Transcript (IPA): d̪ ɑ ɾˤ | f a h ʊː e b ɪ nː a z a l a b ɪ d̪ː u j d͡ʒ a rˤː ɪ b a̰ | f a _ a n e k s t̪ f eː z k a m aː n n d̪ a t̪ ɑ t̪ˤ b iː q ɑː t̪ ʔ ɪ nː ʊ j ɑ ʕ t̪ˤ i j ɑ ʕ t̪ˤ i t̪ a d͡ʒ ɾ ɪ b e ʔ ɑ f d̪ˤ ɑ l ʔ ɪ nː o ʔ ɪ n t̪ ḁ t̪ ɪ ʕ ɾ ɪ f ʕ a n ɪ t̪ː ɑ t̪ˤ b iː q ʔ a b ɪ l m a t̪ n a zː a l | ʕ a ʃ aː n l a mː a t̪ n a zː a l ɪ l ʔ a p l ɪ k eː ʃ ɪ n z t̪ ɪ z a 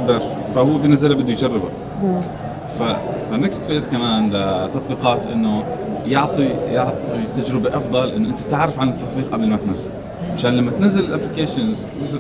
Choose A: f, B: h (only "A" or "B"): A